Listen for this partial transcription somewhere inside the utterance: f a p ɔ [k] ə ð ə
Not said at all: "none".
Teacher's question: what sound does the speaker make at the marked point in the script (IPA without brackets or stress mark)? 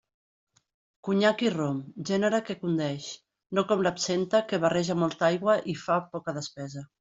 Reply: k